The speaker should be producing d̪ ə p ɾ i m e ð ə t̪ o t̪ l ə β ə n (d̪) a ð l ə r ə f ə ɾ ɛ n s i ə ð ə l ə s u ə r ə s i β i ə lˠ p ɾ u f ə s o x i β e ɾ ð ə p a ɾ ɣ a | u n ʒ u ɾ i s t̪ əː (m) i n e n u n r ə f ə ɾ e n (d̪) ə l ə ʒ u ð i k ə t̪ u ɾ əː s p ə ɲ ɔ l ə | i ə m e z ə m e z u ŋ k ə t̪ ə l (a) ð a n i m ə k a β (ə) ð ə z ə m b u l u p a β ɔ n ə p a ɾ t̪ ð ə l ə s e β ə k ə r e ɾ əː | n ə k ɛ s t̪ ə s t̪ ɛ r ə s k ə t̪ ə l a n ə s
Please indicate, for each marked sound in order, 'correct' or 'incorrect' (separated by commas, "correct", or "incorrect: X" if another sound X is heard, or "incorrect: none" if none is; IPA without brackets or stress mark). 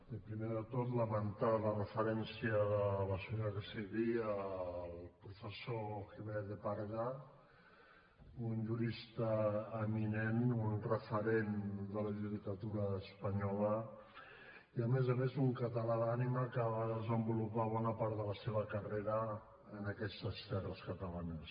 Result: incorrect: t̪, correct, correct, correct, incorrect: a